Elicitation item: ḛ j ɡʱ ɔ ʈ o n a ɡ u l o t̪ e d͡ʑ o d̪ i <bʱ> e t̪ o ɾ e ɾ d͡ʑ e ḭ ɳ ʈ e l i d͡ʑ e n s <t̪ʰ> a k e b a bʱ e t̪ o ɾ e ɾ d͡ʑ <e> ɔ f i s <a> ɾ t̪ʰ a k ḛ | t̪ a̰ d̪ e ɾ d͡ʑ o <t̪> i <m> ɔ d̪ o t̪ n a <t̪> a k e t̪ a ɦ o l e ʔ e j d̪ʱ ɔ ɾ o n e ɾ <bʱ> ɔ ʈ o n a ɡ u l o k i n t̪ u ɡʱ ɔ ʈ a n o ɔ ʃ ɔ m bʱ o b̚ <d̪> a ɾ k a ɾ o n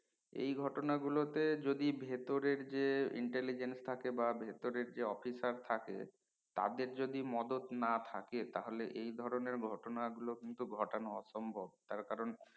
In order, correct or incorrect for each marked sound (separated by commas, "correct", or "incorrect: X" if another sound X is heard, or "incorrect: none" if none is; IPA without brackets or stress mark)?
correct, correct, correct, correct, incorrect: d̪, correct, incorrect: t̪ʰ, incorrect: ɡʱ, incorrect: t̪